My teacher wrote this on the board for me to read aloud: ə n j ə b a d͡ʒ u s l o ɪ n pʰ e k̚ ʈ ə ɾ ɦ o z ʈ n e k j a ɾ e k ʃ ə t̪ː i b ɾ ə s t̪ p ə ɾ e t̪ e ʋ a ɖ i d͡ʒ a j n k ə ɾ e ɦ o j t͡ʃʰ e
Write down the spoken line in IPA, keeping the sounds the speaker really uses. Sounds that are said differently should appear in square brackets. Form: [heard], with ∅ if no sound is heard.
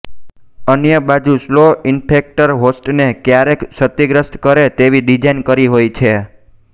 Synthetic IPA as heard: ə n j ə b a d͡ʒ u s l o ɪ n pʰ e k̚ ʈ ə ɾ ɦ o [s] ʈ n e k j a ɾ e k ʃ ə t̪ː i [ɡ] ɾ ə s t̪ [k] ə ɾ e t̪ e ʋ [i] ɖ i d͡ʒ a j n k ə ɾ [i] ɦ o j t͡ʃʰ e